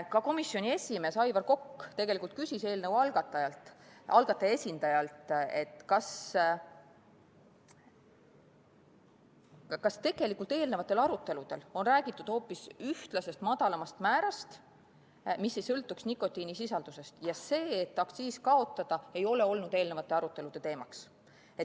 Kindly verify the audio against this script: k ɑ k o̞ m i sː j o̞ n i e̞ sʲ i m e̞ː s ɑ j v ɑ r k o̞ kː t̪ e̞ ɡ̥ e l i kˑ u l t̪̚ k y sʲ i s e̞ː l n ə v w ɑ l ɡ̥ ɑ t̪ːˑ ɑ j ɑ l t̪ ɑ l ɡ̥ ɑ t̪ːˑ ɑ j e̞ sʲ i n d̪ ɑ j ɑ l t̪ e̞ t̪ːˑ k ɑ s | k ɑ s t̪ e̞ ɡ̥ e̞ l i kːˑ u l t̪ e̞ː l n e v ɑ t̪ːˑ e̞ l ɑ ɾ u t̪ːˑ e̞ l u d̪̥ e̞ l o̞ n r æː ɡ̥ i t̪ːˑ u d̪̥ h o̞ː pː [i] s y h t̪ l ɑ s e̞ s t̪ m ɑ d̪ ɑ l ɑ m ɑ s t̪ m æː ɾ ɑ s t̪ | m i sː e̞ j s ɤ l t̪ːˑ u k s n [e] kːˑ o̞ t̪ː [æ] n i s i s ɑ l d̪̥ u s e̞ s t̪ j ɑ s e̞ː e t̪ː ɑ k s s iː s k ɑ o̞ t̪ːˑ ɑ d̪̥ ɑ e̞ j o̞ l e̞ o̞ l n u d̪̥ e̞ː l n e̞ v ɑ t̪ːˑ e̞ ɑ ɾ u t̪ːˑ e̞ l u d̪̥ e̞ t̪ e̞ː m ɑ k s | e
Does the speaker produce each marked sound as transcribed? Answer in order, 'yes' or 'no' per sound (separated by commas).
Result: yes, no, no